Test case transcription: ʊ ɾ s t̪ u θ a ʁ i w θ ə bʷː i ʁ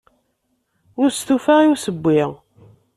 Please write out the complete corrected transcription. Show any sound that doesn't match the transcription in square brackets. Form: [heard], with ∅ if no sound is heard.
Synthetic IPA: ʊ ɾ s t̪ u [f] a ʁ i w [s] ə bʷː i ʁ